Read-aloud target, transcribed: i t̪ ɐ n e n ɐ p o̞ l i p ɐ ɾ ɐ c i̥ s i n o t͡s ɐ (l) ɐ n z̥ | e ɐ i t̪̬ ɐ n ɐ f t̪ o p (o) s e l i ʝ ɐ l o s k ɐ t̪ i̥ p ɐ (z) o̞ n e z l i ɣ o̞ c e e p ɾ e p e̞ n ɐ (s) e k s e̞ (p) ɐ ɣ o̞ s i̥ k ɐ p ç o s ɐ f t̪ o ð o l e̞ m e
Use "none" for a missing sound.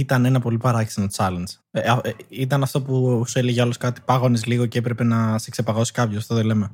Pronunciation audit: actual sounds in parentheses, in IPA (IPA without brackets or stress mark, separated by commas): l, u, ɣ, s, p